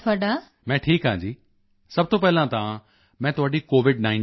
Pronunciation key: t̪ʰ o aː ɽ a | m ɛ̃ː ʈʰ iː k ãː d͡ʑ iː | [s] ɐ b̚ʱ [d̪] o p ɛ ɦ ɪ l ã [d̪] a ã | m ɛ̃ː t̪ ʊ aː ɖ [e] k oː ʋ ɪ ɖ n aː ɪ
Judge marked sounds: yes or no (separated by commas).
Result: yes, no, no, no